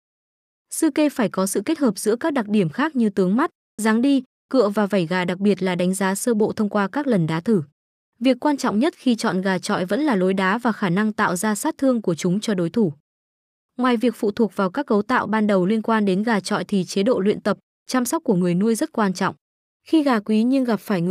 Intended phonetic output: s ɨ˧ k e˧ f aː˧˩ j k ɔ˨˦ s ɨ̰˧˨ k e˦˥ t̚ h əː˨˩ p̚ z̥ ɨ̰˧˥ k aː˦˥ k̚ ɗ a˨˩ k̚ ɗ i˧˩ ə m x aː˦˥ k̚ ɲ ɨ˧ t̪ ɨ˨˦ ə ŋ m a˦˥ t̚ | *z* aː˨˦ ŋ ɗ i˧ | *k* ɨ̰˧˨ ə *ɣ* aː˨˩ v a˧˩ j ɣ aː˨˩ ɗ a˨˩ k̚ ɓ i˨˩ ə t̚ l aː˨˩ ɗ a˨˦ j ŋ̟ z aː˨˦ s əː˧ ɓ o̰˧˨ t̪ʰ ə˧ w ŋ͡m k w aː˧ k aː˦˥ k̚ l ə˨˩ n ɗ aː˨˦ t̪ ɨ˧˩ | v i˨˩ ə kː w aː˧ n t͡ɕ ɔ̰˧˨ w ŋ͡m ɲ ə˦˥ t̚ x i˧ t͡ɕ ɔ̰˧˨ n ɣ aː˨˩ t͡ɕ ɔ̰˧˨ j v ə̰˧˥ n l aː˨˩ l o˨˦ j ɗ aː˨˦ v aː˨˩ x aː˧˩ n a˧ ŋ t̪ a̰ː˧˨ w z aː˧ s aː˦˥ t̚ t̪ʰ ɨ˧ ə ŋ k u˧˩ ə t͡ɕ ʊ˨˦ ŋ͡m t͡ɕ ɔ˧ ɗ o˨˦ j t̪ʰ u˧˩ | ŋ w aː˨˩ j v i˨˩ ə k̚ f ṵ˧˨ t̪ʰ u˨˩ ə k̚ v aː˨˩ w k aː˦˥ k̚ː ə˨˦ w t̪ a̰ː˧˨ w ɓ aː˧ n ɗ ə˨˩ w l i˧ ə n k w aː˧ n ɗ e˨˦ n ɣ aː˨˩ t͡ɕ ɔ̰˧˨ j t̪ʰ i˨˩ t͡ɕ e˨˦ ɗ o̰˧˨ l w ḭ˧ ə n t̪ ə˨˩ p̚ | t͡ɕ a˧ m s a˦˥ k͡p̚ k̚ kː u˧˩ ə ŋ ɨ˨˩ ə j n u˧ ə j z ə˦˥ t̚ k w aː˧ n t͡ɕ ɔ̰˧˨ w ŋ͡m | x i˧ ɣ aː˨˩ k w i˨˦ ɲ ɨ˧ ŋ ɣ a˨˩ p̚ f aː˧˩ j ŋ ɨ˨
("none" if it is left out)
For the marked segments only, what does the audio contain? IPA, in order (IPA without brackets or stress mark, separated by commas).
z, k, v